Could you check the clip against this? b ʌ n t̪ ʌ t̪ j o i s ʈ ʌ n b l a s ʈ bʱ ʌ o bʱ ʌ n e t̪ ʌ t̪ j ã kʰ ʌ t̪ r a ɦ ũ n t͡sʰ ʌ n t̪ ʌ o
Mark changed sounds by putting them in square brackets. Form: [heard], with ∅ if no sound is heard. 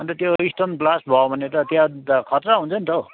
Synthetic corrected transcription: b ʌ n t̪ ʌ t̪ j o i s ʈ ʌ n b l a s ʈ bʱ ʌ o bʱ ʌ n e t̪ ʌ t̪ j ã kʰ ʌ t̪ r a ɦ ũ n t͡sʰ ʌ n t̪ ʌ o

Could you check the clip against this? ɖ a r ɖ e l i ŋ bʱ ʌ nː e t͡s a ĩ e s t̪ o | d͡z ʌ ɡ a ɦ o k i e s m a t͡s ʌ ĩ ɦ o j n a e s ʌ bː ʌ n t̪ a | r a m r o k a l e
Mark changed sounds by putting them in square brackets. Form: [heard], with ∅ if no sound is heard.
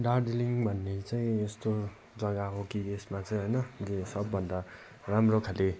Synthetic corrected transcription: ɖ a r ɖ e l i ŋ bʱ ʌ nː e t͡s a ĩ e s t̪ o | d͡z ʌ ɡ a ɦ o k i e s m a t͡s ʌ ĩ ɦ o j n [ʌ] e s ʌ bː ʌ n [d̪] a | r a m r o [kʰ] a l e

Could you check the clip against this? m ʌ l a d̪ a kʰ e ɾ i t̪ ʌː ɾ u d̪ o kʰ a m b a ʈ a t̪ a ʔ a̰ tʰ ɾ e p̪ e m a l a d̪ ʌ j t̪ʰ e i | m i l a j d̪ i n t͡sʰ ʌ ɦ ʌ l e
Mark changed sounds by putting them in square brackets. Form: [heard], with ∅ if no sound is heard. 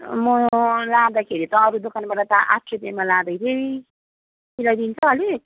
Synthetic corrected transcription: m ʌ l a d̪ a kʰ e ɾ i t̪ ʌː ɾ u d̪ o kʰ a [n] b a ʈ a t̪ a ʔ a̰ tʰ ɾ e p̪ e m a l a d̪ ʌ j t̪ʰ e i | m i l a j d̪ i n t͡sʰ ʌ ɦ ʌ l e

